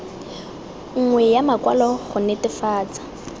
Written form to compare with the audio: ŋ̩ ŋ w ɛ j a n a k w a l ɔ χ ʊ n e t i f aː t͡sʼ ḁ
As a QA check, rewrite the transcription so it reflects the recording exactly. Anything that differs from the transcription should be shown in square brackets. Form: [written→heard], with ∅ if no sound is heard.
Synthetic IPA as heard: ŋ̩ ŋ w ɛ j a [n→m] a k w a l ɔ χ ʊ n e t [i→ɪ] f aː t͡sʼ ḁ